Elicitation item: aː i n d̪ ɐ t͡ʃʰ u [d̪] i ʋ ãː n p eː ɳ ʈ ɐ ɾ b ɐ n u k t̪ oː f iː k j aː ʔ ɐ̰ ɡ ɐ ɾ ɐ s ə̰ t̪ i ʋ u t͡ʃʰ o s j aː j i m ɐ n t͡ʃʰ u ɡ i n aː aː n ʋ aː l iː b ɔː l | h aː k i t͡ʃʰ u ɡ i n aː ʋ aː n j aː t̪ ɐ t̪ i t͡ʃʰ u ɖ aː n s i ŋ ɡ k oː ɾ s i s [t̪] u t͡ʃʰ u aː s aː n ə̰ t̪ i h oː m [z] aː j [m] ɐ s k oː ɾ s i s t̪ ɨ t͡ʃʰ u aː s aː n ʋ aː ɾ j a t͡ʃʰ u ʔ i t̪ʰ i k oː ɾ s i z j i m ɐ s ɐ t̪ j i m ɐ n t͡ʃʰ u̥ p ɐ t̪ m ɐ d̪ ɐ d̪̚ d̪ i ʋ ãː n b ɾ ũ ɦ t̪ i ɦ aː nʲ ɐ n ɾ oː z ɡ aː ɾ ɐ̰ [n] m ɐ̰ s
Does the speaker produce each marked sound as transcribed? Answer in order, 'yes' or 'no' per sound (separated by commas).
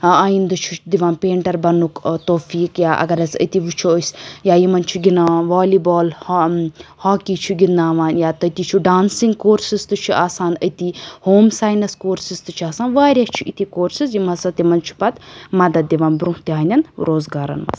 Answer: yes, yes, no, no, yes